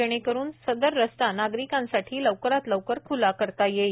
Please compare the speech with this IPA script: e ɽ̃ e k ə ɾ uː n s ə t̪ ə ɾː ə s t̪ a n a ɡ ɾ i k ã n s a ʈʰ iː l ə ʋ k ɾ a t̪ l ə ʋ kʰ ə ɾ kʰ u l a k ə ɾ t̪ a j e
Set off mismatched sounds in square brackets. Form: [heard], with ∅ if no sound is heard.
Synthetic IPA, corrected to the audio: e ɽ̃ e k ə ɾ uː n s ə [d̪] ə ɾː ə s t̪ a n a ɡ ɾ i k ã n s a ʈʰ iː l ə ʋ k ɾ a t̪ l ə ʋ [k] ə ɾ kʰ u l a k ə ɾ t̪ a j e